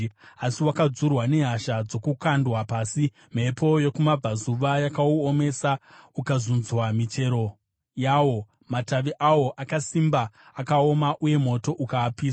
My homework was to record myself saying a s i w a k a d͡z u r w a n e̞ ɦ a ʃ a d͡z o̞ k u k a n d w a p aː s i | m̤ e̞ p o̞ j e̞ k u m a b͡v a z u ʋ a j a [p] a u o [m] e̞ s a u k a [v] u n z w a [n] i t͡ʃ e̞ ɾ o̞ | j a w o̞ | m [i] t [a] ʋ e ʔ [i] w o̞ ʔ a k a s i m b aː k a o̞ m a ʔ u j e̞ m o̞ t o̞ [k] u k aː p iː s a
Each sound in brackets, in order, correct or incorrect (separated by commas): incorrect, correct, incorrect, incorrect, incorrect, correct, incorrect, incorrect